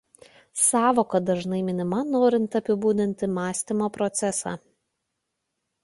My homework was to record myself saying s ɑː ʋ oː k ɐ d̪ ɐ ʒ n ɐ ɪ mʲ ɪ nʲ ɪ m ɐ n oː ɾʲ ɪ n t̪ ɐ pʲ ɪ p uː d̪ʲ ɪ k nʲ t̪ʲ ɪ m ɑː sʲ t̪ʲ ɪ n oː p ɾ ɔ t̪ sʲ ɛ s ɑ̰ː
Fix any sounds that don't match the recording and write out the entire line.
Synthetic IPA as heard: s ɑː ʋ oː k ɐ d̪ ɐ ʒ n ɐ ɪ mʲ ɪ nʲ ɪ m ɐ n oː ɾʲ ɪ n t̪ ɐ pʲ ɪ b uː d̪ʲ ɪ nʲ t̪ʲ ɪ m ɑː sʲ t̪ʲ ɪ m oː p ɾ ɔ t̪ sʲ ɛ s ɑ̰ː